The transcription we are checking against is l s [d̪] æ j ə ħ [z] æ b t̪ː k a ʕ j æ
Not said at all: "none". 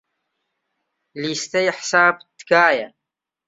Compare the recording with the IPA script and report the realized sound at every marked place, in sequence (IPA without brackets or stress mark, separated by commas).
t̪, s